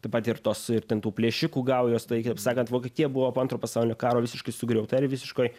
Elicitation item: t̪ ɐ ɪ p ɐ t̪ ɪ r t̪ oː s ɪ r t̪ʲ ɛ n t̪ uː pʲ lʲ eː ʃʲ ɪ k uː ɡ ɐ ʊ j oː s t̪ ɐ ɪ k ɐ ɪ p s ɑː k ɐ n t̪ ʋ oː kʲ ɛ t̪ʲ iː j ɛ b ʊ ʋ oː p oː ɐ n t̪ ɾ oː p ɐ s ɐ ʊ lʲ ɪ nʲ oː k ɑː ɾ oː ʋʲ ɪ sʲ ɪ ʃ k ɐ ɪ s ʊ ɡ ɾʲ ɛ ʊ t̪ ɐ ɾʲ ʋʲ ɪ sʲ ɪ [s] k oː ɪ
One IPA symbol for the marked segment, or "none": ʃ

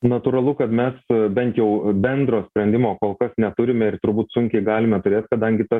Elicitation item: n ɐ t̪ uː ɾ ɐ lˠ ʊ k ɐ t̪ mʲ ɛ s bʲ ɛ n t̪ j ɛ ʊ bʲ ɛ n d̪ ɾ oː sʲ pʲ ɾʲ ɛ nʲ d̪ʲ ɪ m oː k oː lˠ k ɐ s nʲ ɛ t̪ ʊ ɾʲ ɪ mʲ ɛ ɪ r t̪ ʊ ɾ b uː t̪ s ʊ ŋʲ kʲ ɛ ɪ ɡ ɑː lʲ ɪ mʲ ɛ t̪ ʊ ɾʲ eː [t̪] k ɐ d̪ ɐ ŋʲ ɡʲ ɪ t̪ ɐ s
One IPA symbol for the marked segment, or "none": t̪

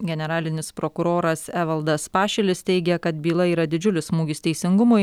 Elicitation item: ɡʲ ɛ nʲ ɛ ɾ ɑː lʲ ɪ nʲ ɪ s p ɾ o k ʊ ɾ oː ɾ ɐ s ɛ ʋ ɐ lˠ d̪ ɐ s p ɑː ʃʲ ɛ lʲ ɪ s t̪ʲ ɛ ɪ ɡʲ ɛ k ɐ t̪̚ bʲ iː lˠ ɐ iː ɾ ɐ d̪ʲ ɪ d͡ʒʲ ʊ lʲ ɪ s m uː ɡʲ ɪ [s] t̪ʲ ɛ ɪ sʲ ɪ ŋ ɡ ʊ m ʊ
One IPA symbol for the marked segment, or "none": s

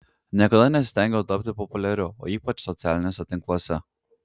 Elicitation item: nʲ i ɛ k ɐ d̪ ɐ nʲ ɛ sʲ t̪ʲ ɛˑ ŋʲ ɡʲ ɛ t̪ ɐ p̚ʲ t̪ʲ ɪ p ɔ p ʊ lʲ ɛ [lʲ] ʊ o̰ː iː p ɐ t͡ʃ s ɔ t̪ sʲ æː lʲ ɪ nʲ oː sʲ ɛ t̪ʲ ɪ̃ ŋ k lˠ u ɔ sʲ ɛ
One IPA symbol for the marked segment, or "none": ɾʲ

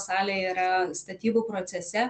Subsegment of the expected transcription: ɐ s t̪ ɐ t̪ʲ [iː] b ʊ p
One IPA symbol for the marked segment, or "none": iː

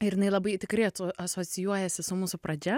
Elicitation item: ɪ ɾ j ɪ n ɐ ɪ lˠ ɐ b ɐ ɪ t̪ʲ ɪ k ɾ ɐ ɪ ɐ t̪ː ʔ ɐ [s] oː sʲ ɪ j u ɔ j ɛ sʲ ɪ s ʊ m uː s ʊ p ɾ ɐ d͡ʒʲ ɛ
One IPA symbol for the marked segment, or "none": s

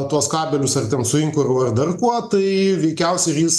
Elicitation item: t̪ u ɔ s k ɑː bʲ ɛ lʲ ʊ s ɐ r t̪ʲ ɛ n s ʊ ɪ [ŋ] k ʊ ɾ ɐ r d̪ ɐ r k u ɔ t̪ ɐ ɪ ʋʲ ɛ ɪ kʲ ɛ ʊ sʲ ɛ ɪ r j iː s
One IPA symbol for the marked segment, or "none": ŋ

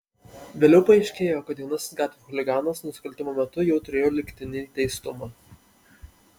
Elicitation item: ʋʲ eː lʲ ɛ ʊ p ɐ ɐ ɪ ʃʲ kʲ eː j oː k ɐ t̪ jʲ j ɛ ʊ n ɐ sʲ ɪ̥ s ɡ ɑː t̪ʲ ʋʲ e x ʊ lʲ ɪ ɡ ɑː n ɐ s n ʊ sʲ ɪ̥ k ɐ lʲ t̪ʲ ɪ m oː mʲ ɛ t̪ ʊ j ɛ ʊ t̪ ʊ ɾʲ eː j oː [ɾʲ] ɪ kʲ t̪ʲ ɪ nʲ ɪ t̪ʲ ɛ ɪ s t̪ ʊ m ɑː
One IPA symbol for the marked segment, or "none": lʲ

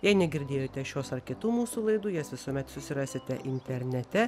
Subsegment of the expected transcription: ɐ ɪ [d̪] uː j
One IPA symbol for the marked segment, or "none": d̪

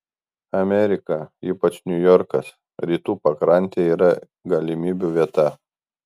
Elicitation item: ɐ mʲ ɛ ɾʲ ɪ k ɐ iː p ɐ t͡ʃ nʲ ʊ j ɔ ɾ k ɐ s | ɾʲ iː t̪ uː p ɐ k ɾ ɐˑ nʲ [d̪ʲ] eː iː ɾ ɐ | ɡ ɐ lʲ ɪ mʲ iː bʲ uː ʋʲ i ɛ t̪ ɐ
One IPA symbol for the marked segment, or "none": t̪ʲ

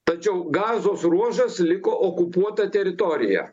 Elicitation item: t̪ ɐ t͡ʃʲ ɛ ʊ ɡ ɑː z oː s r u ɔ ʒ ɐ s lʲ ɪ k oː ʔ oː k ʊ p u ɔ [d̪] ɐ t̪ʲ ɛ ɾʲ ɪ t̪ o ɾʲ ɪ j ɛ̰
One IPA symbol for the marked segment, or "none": t̪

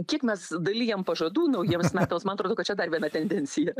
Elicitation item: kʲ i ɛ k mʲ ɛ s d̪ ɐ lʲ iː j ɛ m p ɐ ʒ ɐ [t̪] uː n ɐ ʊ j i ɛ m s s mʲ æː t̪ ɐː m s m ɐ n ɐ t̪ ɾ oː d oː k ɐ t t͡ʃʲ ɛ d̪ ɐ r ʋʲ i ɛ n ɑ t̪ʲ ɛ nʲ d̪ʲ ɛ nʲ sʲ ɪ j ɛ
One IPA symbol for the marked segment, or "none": d̪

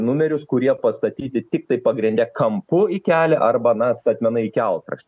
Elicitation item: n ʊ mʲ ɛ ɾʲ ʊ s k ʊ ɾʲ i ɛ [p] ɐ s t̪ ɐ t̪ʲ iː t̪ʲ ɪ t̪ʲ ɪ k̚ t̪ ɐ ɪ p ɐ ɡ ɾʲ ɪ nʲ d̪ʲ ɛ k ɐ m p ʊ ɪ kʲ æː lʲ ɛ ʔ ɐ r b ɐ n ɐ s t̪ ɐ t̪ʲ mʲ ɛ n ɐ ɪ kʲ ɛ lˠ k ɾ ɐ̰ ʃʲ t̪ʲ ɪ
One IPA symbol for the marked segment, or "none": p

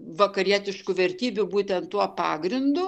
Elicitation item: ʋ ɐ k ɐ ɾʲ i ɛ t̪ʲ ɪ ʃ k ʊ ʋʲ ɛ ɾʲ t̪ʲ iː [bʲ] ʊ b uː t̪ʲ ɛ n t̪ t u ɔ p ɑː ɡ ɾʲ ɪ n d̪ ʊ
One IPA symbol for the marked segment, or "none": bʲ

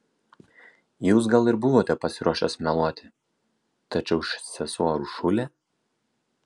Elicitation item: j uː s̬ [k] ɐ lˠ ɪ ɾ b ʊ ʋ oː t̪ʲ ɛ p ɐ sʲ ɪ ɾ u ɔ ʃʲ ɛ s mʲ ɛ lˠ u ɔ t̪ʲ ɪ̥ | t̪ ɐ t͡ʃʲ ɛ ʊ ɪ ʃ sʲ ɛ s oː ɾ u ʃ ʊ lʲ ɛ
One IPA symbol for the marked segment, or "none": ɡ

